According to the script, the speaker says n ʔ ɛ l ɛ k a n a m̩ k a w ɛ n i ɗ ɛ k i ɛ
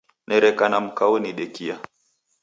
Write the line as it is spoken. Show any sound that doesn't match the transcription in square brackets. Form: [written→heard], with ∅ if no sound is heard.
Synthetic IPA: n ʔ ɛ [l→ɾ] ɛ k a n a m̩ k a w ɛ n i ɗ ɛ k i [ɛ→a]